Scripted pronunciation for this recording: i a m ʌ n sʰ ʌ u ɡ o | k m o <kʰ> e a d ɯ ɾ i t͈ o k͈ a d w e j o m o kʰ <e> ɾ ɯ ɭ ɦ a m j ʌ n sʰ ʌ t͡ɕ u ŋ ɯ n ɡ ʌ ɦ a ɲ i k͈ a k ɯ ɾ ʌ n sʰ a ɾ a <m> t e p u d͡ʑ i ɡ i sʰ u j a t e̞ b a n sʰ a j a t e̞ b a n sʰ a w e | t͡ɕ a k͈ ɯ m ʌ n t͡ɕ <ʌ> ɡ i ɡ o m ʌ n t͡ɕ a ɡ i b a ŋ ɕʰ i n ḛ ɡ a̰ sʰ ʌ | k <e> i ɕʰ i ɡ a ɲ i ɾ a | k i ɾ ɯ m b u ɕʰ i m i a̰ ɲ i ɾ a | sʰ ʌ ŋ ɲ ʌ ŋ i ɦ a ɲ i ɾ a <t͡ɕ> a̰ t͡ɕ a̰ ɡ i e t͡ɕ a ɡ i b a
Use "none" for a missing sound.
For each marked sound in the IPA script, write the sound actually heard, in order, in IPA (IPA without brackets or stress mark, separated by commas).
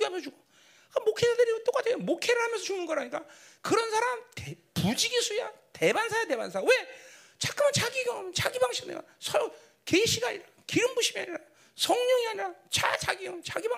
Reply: kʰ, e, m, a, e, t͡ɕ